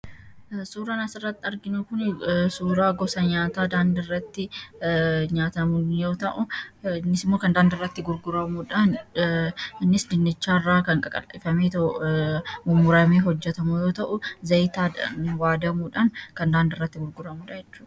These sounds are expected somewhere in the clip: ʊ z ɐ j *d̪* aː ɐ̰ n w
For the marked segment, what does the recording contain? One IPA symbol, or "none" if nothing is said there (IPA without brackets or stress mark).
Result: t̪